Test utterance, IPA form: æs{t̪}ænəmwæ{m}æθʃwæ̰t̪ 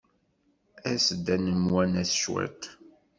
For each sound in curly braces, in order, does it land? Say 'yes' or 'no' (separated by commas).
no, no